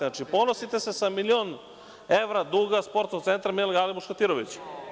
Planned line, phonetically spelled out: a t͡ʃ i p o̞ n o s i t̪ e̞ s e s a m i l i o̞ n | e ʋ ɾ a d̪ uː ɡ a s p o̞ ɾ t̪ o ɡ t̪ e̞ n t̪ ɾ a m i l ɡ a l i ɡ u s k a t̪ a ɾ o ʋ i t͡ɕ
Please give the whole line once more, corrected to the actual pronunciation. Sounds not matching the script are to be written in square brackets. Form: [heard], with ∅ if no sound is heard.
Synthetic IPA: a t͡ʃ i p o̞ n o s i t̪ e̞ s e s a m i l i o̞ n | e ʋ ɾ a d̪ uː ɡ a s p o̞ ɾ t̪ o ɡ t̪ e̞ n t̪ ɾ a m i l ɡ a l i [b] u [ʃ] k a t̪ [i] ɾ o ʋ i t͡ɕ